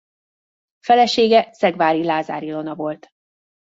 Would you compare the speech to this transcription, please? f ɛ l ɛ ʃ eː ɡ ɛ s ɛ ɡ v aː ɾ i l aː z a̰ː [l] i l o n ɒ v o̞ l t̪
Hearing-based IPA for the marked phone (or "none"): ɾ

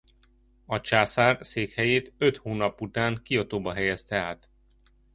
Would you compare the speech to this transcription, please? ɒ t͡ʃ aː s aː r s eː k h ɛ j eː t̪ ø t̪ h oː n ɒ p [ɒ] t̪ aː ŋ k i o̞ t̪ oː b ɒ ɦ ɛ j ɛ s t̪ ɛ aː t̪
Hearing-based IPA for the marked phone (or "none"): u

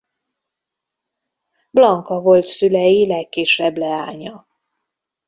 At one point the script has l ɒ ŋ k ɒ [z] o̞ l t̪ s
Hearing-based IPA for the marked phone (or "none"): v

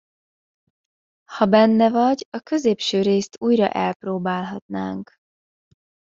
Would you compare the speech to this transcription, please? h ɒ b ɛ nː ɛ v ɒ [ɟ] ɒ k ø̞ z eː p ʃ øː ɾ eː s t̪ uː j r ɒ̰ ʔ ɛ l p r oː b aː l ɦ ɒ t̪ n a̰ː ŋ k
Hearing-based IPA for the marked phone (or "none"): ɟ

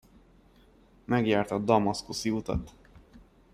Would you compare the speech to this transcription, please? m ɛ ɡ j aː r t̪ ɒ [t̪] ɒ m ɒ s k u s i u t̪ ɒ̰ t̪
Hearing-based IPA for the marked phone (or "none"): d̪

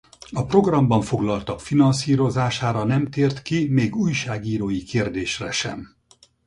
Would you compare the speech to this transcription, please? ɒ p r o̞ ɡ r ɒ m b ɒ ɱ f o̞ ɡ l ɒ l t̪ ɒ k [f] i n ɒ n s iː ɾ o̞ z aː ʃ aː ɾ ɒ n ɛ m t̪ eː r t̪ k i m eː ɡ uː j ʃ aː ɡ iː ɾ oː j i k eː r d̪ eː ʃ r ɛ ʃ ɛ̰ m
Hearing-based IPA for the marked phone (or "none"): f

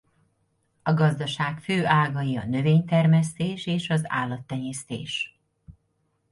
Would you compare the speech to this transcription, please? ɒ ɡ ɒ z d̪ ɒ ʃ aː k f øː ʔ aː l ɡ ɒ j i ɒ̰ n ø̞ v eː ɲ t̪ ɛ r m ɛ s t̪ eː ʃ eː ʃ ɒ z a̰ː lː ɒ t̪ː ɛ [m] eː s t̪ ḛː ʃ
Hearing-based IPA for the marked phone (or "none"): ɲ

